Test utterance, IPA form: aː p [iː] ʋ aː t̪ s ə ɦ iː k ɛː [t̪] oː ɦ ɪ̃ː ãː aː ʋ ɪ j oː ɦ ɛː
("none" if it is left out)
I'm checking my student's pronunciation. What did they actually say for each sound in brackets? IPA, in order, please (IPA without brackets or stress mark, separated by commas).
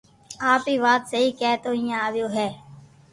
iː, t̪